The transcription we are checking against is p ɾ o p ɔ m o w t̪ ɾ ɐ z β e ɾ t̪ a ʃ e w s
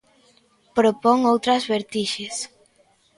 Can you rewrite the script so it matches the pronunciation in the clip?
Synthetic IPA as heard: p ɾ o p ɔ ŋ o w t̪ ɾ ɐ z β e ɾ t̪ i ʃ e s